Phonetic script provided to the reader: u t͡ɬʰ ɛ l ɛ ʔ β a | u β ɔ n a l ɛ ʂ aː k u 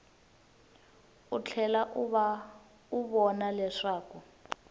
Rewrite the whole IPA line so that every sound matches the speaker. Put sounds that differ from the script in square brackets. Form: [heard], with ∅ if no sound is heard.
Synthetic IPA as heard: u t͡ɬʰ ɛ l [a] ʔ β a | u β ɔ n a l ɛ ʂ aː k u